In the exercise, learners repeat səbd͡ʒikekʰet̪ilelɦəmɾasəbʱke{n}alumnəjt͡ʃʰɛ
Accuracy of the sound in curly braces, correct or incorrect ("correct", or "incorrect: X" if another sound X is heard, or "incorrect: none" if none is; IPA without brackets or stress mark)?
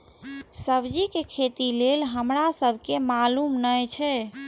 incorrect: m